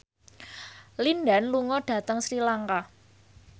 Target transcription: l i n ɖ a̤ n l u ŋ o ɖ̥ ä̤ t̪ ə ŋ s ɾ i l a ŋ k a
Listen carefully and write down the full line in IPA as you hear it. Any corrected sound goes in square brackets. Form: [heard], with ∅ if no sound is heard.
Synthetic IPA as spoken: l i n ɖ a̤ n l u ŋ [ɔ] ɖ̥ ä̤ t̪ ə ŋ s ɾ i l a ŋ k a